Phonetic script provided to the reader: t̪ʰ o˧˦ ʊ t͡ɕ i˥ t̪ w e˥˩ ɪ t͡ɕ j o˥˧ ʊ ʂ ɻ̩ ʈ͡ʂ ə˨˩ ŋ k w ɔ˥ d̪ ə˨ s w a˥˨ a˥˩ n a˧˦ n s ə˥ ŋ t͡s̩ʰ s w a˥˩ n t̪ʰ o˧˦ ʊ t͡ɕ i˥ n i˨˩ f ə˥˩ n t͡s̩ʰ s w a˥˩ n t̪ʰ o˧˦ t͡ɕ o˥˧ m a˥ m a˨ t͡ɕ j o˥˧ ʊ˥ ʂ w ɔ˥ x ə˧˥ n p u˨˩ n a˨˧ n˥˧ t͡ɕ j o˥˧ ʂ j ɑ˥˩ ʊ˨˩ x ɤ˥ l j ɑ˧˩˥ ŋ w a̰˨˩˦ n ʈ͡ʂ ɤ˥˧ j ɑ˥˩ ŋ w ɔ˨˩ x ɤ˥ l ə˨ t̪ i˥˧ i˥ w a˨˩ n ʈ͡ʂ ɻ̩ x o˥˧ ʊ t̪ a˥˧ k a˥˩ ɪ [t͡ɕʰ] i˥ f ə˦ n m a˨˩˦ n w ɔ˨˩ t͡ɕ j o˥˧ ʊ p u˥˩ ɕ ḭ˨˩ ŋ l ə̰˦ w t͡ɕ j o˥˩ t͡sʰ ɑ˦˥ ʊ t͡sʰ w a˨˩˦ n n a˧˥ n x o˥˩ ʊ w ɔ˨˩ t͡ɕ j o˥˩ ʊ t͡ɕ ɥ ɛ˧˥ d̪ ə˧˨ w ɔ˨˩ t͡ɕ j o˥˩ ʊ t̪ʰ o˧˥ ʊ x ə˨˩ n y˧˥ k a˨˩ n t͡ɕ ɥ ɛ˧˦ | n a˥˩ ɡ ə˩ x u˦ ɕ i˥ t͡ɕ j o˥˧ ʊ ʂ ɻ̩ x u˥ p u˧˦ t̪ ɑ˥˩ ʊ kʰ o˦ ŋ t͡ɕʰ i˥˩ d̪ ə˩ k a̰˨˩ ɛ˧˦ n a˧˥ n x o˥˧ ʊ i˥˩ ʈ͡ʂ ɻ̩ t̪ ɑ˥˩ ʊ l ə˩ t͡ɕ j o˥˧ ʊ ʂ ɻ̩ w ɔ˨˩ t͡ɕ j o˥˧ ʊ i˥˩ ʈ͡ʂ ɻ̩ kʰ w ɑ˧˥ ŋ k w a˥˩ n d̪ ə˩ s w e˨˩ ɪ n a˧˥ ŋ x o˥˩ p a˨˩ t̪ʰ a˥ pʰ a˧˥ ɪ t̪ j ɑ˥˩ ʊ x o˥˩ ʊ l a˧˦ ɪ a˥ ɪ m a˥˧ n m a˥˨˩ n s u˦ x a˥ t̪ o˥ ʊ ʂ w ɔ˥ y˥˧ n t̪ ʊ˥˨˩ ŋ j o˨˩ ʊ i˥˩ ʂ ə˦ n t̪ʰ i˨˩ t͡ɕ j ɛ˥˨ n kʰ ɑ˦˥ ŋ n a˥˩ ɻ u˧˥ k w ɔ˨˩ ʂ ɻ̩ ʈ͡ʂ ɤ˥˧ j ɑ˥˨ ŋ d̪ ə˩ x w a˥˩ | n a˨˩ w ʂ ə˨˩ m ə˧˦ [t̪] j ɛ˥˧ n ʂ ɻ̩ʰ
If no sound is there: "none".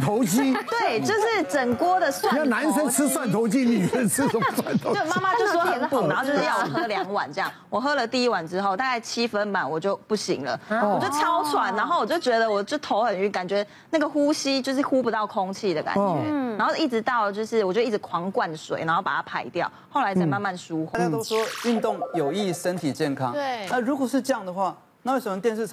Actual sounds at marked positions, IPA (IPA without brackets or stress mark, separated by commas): t͡ɕʰ, t̪